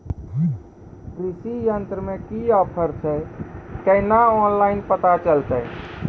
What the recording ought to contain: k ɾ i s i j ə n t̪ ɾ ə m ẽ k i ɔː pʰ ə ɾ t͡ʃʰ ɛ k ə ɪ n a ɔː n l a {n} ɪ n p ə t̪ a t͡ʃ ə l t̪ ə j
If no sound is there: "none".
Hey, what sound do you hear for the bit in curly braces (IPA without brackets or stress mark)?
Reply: none